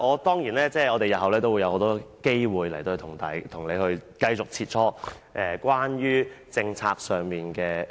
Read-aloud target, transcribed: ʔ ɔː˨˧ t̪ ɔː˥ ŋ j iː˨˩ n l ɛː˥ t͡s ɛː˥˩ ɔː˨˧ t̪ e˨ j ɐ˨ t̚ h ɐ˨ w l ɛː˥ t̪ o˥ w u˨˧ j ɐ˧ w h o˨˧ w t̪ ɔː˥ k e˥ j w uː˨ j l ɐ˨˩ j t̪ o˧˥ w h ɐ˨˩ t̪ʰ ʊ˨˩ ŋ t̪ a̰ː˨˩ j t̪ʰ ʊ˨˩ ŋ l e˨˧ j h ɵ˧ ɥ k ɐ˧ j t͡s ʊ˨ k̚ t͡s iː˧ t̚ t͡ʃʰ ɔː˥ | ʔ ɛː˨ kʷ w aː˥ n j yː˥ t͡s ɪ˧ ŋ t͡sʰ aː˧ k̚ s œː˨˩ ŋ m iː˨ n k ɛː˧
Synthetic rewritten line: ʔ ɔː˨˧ t̪ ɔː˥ ŋ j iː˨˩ n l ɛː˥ t͡s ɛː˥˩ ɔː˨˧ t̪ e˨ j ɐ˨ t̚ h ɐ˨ w l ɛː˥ t̪ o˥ w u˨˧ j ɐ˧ w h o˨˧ w t̪ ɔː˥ k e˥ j w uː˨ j l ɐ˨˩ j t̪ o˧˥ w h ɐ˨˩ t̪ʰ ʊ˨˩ ŋ t̪ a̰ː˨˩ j t̪ʰ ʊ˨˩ ŋ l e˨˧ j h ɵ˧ ɥ k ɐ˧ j t͡s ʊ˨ k̚ t͡sʰ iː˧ t̚ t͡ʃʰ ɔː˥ | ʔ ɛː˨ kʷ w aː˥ n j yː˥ t͡s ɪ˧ ŋ t͡sʰ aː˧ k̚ s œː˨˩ ŋ m iː˨ n k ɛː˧